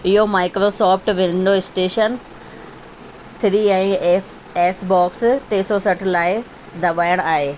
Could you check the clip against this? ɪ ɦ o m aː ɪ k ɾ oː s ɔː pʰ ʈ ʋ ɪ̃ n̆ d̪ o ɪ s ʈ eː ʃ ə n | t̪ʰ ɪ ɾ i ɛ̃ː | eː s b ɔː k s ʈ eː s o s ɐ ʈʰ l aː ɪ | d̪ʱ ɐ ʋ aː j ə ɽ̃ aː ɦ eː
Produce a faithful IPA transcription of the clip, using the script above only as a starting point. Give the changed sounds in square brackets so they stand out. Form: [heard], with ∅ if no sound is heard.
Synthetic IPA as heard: ɪ ɦ o m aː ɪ k ɾ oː s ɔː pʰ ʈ ʋ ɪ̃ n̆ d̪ o ɪ s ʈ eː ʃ ə n | t̪ʰ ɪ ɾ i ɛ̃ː | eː s b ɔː k s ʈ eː s o s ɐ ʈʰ l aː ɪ | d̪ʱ ɐ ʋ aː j ə ɽ̃ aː ɦ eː